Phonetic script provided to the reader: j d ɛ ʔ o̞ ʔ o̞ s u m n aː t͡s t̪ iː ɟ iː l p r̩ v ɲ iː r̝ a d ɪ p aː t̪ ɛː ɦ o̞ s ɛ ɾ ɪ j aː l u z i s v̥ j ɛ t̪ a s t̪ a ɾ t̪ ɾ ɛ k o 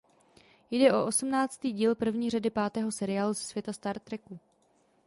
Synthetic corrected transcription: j d ɛ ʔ o̞ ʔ o̞ s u m n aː t͡s t̪ iː ɟ iː l p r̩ v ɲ iː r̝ a d ɪ p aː t̪ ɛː ɦ o̞ s ɛ ɾ ɪ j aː l u z ɛ s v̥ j ɛ t̪ a s t̪ a ɾ t̪ ɾ ɛ k u